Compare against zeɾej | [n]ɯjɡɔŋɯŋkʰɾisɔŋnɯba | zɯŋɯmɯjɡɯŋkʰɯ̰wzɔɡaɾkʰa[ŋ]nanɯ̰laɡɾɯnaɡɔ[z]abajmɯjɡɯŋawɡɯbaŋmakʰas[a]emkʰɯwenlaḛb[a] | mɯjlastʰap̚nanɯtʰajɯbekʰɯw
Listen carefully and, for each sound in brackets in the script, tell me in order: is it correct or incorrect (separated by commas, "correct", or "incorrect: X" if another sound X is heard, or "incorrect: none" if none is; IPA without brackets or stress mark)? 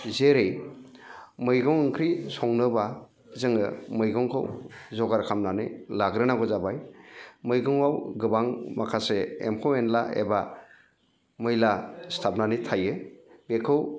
incorrect: m, incorrect: m, correct, incorrect: e, correct